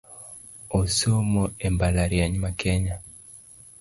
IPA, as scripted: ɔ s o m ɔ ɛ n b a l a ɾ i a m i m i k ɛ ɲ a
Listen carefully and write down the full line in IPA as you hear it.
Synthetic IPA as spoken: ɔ s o m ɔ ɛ m b a l a ɾ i a ɲ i m a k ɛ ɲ a

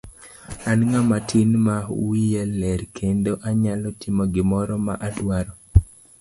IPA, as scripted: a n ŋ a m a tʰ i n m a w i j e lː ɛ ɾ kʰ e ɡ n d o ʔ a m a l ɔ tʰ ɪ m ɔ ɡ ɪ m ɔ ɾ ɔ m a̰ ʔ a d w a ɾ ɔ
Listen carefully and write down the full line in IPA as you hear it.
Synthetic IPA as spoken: a n ŋ a m a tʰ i n m a w i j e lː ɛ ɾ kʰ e n d o ʔ a ɲ a l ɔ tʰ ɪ m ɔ ɡ ɪ m ɔ ɾ ɔ m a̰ ʔ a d w a ɾ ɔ

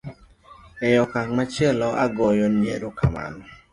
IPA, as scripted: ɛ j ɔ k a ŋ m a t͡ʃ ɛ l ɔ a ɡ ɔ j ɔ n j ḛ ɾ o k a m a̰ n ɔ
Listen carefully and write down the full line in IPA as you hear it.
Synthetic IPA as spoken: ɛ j ɔ k a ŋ m a t͡ʃ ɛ l ɔ a ɡ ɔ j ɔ n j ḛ ɾ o k a m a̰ n ɔ

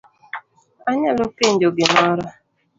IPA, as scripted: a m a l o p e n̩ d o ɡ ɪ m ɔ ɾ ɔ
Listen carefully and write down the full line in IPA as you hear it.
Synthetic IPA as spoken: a ɲ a l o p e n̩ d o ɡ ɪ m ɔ ɾ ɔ

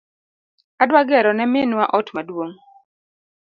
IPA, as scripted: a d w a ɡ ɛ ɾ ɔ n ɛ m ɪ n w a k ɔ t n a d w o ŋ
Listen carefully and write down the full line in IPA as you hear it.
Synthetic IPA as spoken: a d w a ɡ ɛ ɾ ɔ n ɛ m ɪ n w a ʔ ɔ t m a d w o ŋ

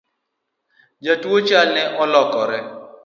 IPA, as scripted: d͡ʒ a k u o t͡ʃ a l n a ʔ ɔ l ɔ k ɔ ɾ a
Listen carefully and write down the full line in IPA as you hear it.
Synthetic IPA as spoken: d͡ʒ a t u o t͡ʃ a l n ɛ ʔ ɔ l ɔ k ɔ ɾ ɛ

